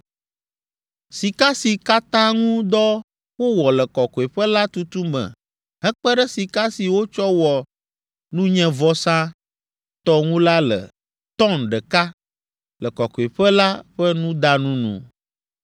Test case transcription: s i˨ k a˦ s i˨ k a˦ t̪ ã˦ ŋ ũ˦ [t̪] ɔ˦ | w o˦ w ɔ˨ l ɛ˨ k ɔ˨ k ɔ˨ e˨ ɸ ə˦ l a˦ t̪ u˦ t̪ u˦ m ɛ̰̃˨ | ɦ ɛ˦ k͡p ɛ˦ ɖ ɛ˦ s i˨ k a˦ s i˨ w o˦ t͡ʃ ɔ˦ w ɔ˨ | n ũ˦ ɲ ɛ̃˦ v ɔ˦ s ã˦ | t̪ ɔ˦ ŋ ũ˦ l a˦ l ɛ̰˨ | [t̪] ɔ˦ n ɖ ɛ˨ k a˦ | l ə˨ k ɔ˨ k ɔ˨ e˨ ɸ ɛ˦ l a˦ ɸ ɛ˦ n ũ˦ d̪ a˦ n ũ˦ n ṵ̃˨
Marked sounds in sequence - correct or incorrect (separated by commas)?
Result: incorrect, correct